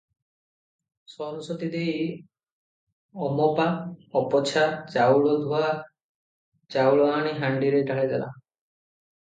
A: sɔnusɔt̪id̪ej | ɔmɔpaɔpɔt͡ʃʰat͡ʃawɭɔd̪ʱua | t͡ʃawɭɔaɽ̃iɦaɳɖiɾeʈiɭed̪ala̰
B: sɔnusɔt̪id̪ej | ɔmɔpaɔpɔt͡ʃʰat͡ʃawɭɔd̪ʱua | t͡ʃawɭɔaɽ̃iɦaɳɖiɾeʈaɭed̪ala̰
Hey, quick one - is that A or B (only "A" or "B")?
B